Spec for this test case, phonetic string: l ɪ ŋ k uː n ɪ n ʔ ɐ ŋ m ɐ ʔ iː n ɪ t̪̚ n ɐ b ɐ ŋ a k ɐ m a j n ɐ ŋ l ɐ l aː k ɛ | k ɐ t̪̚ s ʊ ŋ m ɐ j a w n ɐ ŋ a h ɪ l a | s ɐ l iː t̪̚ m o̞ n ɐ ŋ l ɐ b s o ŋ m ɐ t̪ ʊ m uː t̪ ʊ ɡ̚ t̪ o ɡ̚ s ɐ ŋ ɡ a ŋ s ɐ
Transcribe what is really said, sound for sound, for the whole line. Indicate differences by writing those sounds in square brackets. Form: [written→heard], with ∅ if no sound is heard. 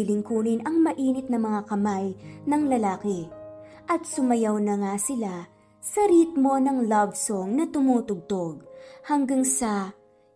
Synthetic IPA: l ɪ ŋ k uː n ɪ n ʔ ɐ ŋ m ɐ ʔ iː n ɪ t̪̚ n ɐ [b→m] ɐ ŋ a k ɐ m a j n ɐ ŋ l ɐ l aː k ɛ | [k→ʔ] ɐ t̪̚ s ʊ [ŋ→∅] m ɐ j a w n ɐ ŋ a [h→s] ɪ l a | s ɐ [l→ɾ] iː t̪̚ m o̞ n ɐ ŋ l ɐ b s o ŋ [m→n] ɐ t̪ ʊ m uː t̪ ʊ ɡ̚ t̪ o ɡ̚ [s→h] ɐ ŋ ɡ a ŋ s ɐ